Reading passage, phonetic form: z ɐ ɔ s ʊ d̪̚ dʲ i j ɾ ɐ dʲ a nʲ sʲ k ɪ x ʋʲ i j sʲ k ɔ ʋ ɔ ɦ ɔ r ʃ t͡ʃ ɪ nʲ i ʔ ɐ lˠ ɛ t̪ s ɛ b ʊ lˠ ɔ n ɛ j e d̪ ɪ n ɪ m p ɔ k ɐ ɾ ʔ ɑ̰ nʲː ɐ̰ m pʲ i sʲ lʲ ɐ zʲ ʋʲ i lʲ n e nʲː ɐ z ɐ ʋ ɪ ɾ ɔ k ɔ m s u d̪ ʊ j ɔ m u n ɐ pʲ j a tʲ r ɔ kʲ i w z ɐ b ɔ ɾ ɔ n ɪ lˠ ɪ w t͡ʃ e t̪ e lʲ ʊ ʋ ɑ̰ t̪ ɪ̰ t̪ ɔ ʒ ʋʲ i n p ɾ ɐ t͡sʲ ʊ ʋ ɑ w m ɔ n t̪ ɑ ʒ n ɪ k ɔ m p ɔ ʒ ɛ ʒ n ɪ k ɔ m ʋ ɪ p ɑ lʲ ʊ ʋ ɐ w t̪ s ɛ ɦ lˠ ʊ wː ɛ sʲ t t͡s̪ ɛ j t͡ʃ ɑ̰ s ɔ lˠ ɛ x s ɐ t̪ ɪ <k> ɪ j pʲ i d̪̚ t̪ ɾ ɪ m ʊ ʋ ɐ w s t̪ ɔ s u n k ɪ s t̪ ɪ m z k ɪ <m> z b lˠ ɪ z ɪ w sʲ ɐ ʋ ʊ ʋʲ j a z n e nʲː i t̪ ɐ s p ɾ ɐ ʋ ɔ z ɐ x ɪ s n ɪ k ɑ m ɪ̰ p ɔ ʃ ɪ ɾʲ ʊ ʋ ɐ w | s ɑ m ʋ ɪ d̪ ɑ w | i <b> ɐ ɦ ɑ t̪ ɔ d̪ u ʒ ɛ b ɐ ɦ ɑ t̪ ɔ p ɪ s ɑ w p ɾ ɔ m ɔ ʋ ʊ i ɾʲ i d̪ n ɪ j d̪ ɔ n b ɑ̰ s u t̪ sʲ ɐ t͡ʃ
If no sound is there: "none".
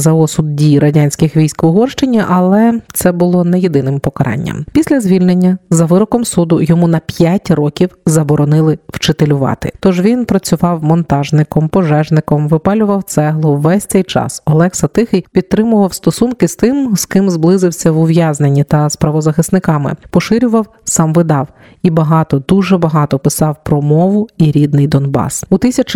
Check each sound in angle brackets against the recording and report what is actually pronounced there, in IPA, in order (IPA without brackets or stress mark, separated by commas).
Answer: x, m, b